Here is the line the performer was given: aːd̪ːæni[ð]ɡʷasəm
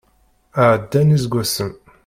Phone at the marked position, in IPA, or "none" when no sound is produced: z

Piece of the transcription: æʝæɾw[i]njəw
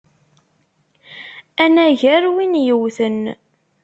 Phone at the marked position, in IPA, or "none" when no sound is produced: i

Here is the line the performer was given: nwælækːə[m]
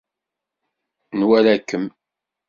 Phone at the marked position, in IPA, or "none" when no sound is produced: m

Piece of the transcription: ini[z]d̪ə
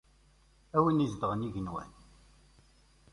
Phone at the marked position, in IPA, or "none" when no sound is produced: z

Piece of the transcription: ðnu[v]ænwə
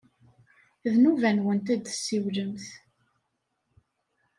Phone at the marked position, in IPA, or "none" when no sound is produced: v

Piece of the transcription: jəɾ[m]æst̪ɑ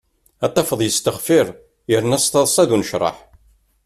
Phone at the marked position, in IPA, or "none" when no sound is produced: n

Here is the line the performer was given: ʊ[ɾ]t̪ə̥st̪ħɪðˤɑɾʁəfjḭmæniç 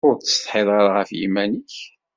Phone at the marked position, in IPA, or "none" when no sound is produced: ɾ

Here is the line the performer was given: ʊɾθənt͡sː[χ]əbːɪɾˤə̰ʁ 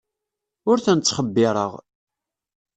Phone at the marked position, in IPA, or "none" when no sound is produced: χ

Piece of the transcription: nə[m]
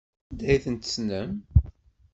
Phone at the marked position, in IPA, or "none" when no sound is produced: m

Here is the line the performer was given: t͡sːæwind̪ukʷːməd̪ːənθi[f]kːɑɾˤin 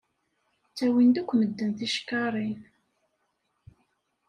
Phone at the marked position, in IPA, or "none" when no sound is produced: ʃ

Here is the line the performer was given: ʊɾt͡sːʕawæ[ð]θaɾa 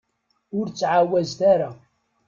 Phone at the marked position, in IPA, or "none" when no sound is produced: z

